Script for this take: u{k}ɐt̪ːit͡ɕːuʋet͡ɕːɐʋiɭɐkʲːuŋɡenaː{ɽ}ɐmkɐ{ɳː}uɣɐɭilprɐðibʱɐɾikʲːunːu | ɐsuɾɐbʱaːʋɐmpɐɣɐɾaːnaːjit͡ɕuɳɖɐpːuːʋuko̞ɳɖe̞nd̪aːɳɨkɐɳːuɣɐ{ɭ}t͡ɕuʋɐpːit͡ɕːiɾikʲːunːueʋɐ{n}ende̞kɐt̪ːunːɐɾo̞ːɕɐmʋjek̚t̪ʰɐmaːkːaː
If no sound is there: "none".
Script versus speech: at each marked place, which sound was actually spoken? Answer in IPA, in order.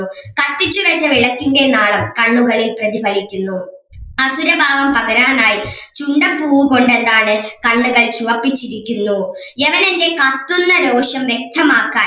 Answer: k, ɭ, ɳː, ɭ, n

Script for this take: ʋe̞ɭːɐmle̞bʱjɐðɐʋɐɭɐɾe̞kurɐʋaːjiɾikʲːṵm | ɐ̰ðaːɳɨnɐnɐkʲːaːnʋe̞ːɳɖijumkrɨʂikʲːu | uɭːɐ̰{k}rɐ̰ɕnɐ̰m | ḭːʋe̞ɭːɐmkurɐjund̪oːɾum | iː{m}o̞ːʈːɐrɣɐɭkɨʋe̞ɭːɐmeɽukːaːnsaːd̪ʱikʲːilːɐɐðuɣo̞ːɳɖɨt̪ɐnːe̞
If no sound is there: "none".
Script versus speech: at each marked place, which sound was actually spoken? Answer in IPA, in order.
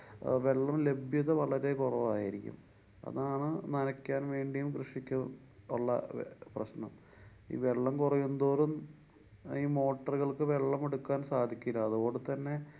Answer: p, m

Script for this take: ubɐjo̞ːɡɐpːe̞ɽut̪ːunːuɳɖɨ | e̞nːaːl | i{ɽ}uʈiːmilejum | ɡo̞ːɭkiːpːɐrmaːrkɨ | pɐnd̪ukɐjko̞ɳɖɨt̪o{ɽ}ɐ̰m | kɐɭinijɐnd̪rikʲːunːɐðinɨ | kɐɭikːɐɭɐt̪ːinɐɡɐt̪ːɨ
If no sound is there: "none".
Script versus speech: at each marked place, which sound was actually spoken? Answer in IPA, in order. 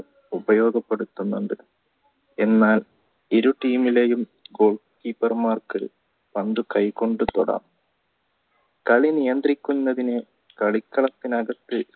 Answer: ɾ, ɽ

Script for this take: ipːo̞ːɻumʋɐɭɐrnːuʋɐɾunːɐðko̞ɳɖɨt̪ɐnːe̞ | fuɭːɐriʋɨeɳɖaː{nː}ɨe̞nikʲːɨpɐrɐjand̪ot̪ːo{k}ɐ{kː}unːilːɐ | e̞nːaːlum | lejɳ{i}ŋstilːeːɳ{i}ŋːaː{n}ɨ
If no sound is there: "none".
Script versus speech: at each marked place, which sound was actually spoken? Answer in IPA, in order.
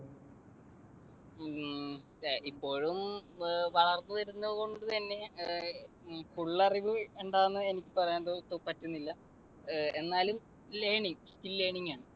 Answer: nː, p, tː, i, i, ɳ

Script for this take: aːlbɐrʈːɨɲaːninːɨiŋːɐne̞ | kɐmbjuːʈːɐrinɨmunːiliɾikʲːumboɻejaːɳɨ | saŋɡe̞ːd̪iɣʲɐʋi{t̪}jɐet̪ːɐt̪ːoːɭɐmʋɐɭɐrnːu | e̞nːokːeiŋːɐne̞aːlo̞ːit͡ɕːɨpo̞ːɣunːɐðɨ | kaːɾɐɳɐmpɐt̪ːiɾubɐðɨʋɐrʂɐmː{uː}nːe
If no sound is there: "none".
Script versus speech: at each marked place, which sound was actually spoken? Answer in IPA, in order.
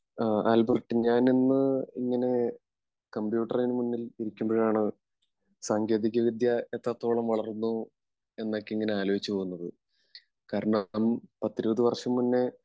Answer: d̪, u

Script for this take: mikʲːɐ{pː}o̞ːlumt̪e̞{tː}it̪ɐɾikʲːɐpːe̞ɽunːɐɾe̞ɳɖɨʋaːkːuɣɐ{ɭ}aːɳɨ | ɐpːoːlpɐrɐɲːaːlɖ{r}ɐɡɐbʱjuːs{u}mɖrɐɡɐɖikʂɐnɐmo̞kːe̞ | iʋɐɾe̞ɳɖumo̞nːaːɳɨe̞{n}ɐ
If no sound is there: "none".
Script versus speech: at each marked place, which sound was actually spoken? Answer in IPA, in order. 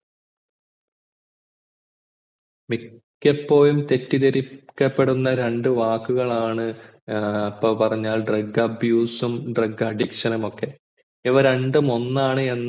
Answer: pː, tː, ɭ, r, u, nː

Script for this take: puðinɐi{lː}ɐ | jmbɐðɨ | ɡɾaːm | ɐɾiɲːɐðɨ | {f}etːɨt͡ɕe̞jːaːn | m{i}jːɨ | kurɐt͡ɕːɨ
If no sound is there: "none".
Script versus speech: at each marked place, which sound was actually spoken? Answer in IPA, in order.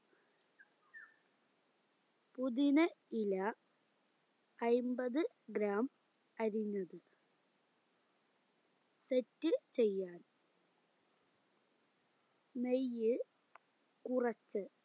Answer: l, s, e

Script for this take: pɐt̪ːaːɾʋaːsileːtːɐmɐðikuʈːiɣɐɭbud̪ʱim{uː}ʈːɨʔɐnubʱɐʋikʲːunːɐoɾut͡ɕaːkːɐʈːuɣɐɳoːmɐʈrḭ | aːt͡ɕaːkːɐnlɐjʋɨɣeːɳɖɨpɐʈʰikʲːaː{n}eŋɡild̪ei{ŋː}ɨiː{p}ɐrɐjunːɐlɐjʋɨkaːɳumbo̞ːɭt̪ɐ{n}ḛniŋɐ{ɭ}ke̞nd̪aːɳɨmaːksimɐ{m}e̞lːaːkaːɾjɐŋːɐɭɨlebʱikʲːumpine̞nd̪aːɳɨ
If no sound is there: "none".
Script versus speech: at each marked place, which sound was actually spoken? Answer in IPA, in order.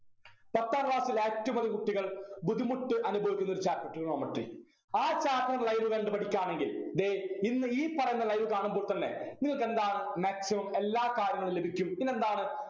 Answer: u, ɳ, nː, p, nː, ɭ, m

